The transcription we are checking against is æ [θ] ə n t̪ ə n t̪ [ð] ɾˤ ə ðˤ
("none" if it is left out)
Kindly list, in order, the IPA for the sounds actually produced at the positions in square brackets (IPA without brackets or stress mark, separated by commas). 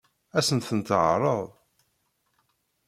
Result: s, ʕ